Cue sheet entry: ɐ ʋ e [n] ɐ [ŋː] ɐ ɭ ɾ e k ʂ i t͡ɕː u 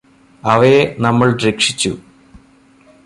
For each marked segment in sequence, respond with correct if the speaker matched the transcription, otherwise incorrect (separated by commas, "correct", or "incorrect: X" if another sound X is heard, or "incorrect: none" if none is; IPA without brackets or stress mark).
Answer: correct, incorrect: mː